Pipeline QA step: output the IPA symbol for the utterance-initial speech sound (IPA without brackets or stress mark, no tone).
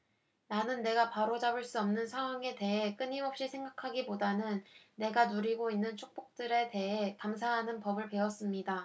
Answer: n